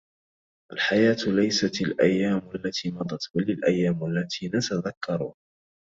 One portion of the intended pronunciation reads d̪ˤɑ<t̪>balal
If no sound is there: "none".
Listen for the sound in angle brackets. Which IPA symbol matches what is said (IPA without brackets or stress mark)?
t̪